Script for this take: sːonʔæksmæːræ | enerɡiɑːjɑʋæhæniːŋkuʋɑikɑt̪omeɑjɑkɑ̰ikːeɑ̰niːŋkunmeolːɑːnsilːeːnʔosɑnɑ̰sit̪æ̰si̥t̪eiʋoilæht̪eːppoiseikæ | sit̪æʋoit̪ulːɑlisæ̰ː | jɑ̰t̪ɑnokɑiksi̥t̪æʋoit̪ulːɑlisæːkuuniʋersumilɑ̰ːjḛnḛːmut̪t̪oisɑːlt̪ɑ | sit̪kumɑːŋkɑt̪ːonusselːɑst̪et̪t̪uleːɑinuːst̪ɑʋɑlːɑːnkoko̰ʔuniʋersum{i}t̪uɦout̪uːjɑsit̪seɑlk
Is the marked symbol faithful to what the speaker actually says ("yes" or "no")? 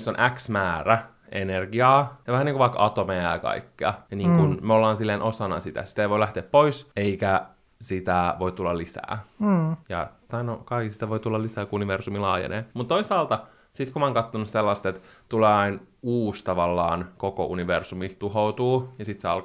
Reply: yes